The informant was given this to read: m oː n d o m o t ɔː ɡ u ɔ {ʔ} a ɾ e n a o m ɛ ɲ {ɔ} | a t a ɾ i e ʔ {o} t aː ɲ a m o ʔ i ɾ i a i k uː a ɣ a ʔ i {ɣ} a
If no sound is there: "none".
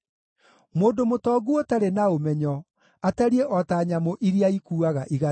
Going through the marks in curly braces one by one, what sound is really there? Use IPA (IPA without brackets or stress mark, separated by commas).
t, ɔ, ɔ, ɣ